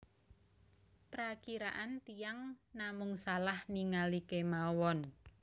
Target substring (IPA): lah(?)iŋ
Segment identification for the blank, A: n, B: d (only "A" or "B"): A